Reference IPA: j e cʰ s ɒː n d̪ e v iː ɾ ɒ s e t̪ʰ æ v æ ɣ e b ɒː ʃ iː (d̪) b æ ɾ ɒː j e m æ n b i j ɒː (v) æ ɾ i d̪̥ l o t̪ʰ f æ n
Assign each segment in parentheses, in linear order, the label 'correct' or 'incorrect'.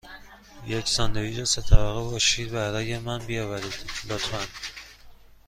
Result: correct, correct

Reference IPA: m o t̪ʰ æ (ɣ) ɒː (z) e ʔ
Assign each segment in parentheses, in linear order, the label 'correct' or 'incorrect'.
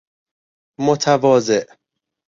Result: incorrect: v, correct

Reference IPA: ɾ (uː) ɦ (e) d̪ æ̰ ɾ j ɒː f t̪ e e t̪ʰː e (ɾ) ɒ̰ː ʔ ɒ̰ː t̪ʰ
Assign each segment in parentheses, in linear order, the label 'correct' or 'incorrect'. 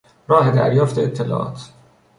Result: incorrect: ɒː, correct, incorrect: l

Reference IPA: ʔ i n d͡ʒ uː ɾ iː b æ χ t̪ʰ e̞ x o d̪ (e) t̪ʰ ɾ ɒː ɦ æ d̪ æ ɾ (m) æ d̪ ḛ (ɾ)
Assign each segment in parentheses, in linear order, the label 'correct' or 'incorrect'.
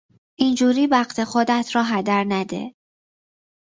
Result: incorrect: æ, incorrect: n, incorrect: none

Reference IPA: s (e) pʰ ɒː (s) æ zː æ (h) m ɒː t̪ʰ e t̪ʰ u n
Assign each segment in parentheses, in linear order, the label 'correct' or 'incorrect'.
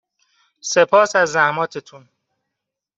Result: correct, correct, correct

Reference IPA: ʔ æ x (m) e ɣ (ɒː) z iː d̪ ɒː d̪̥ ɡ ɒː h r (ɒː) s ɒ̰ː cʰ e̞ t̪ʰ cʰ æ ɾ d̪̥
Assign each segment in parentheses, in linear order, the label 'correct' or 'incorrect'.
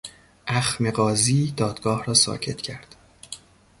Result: correct, correct, correct

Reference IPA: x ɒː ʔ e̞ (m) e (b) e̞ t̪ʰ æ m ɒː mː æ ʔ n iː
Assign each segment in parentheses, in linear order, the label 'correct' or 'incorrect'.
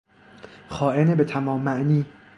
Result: incorrect: n, correct

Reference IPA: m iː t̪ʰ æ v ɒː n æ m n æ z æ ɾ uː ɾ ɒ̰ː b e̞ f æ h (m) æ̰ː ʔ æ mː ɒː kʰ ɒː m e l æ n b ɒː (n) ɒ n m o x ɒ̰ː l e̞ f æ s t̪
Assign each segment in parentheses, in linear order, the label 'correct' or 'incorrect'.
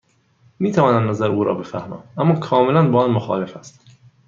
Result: correct, incorrect: none

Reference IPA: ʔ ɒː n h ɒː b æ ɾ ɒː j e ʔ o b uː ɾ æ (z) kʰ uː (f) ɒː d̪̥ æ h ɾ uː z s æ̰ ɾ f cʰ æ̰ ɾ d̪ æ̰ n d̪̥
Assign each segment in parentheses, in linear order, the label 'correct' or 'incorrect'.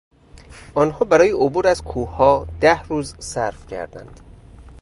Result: correct, incorrect: h

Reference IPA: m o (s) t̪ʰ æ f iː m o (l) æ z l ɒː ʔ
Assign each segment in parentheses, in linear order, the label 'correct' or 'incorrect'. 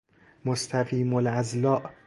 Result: correct, correct

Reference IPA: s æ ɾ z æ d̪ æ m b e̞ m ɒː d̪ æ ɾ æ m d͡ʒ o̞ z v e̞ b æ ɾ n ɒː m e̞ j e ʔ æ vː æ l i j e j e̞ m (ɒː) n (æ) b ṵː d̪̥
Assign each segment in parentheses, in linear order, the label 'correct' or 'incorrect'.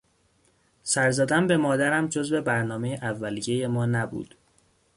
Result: correct, correct

